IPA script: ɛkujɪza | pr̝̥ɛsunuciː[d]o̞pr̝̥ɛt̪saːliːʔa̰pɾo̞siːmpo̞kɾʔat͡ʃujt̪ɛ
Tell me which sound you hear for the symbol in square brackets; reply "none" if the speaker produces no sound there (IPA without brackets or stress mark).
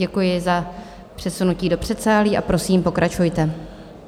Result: d